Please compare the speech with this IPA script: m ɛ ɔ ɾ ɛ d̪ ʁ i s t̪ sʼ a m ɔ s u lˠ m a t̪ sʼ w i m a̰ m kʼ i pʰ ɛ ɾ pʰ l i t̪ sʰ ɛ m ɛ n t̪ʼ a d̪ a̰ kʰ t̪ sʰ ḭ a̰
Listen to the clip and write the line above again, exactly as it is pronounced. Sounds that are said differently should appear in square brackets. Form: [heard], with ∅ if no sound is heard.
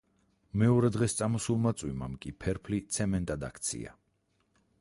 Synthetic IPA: m ɛ ɔ ɾ ɛ d̪ ʁ [ɛ] s t̪ sʼ a m ɔ s u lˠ m a t̪ sʼ w i m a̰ m kʼ i pʰ ɛ ɾ pʰ l i t̪ sʰ ɛ m ɛ n t̪ʼ a d̪ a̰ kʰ t̪ sʰ ḭ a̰

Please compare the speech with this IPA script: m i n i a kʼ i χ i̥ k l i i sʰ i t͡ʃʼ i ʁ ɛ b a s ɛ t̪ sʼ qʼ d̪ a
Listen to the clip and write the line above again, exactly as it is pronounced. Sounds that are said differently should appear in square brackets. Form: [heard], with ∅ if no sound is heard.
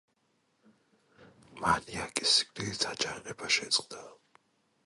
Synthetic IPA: m [a] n i a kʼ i [s] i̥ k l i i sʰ [a] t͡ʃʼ [a] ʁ ɛ b a [ʃ] ɛ t̪ sʼ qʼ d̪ a

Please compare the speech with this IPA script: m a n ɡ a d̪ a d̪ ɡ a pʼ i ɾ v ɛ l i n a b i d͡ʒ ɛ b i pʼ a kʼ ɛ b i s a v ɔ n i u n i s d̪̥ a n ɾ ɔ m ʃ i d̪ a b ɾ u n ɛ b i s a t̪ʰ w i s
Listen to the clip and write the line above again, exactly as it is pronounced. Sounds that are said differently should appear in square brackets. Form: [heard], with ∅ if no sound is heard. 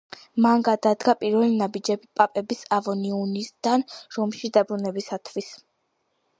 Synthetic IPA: m a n ɡ a d̪ a d̪ ɡ a pʼ i ɾ v ɛ l i n a b i d͡ʒ ɛ b i pʼ a [pʼ] ɛ b i s a v ɔ n i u n i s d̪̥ a n ɾ ɔ m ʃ i d̪ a b ɾ u n ɛ b i s a t̪ʰ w i s

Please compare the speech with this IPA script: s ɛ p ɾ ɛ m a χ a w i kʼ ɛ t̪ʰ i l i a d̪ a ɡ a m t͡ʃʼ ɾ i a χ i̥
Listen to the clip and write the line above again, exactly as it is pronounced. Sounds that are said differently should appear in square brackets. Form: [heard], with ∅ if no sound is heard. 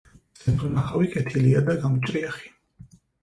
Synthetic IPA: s ɛ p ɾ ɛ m a χ a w i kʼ ɛ t̪ʰ i l i a d̪ a ɡ a m t͡ʃʼ ɾ i a χ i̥

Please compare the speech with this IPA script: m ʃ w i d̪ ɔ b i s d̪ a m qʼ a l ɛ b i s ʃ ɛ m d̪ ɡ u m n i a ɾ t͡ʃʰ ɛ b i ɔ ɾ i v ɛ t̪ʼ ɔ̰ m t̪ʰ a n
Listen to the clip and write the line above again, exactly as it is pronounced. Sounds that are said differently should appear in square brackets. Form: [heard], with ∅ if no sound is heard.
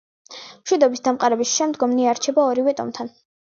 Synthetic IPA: m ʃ w i d̪ ɔ b i s d̪ a m qʼ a [ɾ] ɛ b i s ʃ ɛ m d̪ ɡ [ɔ] m n i a ɾ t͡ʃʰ ɛ b [a] ɔ ɾ i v ɛ t̪ʼ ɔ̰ m t̪ʰ a n

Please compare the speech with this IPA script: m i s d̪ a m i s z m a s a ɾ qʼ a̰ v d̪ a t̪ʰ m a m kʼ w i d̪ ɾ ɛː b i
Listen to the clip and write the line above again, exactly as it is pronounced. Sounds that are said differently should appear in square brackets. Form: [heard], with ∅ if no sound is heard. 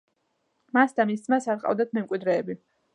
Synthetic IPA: m [a] s d̪ a m i s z m a s a ɾ qʼ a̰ v d̪ a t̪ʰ m [ɛ] m kʼ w i d̪ ɾ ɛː b i

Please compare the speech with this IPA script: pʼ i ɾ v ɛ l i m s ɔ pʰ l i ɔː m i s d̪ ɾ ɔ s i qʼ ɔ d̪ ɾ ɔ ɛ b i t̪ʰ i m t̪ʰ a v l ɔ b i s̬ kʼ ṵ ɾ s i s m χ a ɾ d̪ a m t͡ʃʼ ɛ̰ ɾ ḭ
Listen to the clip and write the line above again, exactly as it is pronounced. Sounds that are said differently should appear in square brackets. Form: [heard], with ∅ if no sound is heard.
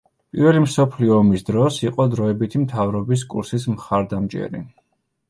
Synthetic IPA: pʼ i ɾ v ɛ l i m s ɔ pʰ l i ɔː m i s d̪ ɾ ɔ s i qʼ ɔ d̪ ɾ ɔ ɛ b i t̪ʰ i m t̪ʰ a v [ɾ] ɔ b i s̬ kʼ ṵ ɾ s i s m χ a ɾ d̪ a m t͡ʃʼ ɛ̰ ɾ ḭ

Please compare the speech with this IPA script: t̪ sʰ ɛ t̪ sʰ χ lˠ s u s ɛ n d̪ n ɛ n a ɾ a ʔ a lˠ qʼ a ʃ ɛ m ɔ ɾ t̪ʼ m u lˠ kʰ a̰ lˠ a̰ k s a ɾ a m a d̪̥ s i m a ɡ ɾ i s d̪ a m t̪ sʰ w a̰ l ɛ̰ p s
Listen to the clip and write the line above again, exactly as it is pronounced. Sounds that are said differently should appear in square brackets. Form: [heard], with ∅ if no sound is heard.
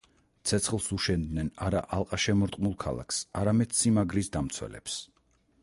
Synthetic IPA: t̪ sʰ ɛ t̪ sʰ χ lˠ s u [ʃ] ɛ n d̪ n ɛ n a ɾ a ʔ a lˠ qʼ a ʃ ɛ m ɔ ɾ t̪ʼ m u lˠ kʰ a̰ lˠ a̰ k s a ɾ a m [ɛ] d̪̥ s i m a ɡ ɾ i s d̪ a m t̪ sʰ w [ɛ̰] l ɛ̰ p s

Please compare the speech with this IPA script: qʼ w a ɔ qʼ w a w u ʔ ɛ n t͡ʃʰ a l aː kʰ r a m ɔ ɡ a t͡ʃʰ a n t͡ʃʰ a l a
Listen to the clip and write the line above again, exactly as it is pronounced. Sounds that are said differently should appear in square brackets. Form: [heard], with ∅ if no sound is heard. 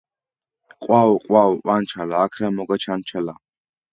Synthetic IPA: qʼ w a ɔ qʼ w a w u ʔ [a] n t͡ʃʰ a l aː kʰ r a m ɔ ɡ a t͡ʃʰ a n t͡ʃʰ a l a

